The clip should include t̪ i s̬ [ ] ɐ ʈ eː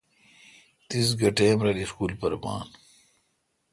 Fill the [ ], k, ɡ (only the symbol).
ɡ